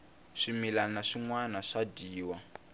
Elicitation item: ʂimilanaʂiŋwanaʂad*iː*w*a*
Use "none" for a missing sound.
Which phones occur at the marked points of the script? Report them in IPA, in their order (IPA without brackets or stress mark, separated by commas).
iː, a